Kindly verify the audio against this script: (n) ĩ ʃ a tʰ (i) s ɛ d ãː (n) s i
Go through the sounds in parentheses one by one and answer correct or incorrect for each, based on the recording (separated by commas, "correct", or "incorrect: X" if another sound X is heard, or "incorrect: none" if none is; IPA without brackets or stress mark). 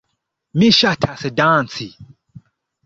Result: incorrect: m, incorrect: a, correct